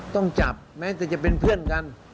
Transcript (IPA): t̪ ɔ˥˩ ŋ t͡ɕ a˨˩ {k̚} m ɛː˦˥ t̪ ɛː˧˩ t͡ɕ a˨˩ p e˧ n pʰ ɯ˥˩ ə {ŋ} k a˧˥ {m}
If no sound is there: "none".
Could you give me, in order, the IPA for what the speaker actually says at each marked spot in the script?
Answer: p̚, n, n

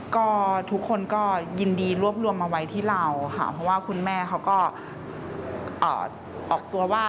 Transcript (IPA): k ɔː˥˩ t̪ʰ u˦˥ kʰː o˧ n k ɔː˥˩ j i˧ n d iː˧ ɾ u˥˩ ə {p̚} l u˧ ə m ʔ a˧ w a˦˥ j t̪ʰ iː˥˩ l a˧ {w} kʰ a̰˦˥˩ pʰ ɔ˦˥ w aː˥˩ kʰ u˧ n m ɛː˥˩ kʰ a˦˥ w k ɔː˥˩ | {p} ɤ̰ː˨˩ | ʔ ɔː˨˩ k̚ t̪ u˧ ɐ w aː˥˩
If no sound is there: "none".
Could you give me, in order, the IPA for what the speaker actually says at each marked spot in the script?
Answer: p̚, w, ʔ

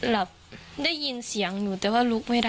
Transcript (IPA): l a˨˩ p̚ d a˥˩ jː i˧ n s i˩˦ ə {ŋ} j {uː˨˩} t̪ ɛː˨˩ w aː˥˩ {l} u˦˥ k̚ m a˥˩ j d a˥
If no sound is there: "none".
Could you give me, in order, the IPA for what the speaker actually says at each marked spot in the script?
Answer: ŋ, uː˨˩, l

